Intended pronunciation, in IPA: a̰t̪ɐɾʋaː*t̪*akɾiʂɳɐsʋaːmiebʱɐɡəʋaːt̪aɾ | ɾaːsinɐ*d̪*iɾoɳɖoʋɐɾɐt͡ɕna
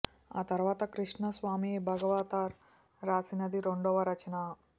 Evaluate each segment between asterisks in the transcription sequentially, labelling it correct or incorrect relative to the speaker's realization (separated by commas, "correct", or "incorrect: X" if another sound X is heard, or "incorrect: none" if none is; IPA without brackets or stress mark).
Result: correct, correct